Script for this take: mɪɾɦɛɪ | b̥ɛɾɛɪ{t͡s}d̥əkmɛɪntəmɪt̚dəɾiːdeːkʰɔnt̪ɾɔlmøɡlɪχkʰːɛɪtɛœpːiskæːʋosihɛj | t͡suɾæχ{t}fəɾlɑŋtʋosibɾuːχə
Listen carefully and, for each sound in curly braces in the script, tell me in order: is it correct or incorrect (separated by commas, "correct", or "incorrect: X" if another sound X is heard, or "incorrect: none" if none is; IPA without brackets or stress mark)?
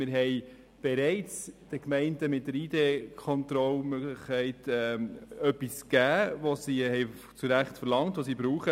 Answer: correct, correct